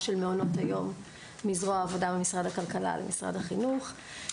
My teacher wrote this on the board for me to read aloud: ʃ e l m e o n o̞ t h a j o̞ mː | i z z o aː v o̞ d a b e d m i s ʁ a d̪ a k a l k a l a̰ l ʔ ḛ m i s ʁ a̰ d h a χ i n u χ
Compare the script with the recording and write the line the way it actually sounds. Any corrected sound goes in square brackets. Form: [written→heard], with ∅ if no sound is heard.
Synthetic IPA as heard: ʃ e l m e o n o̞ t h a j o̞ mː | i z [z→ʁ] o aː v o̞ d a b e [d→∅] m i s ʁ a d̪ a k a l k a l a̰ l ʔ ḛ m i s ʁ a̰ d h a χ i n u χ

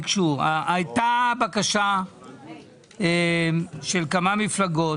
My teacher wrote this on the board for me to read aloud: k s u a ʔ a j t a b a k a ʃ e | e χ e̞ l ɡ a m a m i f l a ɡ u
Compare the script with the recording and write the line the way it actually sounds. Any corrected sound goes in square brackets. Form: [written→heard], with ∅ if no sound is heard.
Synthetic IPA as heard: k [s→ʃ] u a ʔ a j t a b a k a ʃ [e→a] | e [χ→ʃ] e̞ l [ɡ→k] a m a m i f l a ɡ [u→o]

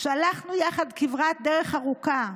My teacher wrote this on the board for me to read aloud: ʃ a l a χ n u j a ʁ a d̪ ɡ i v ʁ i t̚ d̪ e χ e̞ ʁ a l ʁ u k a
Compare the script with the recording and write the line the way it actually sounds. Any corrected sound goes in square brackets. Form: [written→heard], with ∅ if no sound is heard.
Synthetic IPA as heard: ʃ a l a χ n u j a [ʁ→χ] a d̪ [ɡ→k] i v ʁ [i→a] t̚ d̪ e [χ→ʁ] e̞ [ʁ→χ] a [l→∅] ʁ u k a

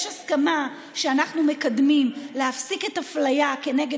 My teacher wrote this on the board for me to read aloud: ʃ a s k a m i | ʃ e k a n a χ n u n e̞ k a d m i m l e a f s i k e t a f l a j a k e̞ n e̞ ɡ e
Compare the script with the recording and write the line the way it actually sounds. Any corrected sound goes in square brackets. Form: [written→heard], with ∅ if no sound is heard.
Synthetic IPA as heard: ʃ a s k a m [i→a] | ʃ e [k→∅] a n a χ n u [n→m] e̞ k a d m i m l e a f s i k e t a f l a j a k e̞ n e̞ ɡ e

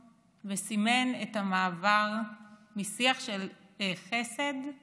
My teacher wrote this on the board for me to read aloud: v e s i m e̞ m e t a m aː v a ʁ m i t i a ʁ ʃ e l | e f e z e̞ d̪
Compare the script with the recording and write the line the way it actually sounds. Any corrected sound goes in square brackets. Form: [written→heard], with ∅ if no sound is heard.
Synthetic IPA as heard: v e s i m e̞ [m→n] e t a m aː v a ʁ m i [t→s] i a [ʁ→χ] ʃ e l | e [f→χ] e [z→s] e̞ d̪

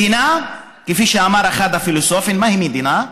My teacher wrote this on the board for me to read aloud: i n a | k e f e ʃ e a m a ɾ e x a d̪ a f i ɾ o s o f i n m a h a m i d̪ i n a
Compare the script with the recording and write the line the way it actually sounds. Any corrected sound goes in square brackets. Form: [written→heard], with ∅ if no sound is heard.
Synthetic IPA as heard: i n a | k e f [e→i] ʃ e a m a ɾ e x a d̪ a f i [ɾ→l] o s o f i n m a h [a→i] m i d̪ i n a

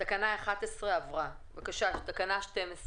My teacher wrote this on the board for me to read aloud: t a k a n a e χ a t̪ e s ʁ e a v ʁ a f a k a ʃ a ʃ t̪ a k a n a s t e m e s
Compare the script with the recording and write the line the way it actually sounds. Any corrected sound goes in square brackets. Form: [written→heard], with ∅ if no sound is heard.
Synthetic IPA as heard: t a k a n a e χ a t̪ e s ʁ e a v ʁ a [f→v] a k a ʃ a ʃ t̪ a k a n a [s→ʃ] t e m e s

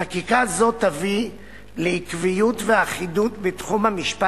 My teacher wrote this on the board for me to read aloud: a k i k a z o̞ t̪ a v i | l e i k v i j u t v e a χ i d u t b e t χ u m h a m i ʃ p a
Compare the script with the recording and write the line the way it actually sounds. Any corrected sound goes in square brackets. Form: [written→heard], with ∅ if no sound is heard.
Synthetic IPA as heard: a k i k a z o̞ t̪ a v i | l e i k v i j u t v e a χ i d u t b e t χ u m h a m i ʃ p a

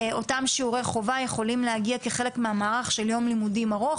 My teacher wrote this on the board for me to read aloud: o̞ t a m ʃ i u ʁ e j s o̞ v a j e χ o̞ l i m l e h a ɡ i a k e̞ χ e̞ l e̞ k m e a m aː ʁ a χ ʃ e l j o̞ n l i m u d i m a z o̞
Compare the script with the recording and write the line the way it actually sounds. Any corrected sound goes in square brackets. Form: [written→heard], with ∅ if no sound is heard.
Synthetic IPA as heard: o̞ t a m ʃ i u ʁ e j [s→χ] o̞ v a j e χ o̞ l i m l e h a ɡ i a k e̞ χ e̞ l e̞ k m e a m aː ʁ a χ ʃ e l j o̞ [n→m] l i m u d i m a [z→ʁ] o̞

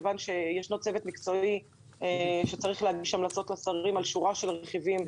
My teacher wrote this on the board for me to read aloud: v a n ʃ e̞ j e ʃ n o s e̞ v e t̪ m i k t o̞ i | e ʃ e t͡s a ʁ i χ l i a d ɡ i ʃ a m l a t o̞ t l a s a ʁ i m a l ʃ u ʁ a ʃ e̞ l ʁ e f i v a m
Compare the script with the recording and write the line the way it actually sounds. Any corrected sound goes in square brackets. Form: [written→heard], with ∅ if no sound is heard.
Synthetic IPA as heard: v a n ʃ e̞ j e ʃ n o [s→t͡s] e̞ v e t̪ m i k [t→t͡s] o̞ i | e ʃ e t͡s a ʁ i χ l [i→e] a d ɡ i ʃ a m l a [t→t͡s] o̞ t l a s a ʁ i m a l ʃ u ʁ a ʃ e̞ l ʁ e [f→χ] i v [a→i] m

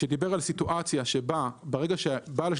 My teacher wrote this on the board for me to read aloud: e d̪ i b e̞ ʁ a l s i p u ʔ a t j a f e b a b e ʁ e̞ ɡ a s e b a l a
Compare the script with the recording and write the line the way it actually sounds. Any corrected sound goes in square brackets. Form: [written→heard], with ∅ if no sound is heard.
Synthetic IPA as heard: e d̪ i b e̞ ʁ a l s i [p→t] u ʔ a [t→t͡s] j a [f→ʃ] e b a b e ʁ e̞ ɡ a [s→ʃ] e b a l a

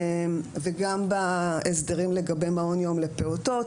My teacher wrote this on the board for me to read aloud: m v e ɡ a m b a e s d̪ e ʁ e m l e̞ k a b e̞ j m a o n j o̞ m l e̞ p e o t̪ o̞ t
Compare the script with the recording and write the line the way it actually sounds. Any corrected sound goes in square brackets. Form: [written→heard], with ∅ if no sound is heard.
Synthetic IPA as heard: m v e ɡ a m b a e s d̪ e ʁ [e→i] m l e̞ [k→ɡ] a b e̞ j m a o n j o̞ m l e̞ p e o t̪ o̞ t

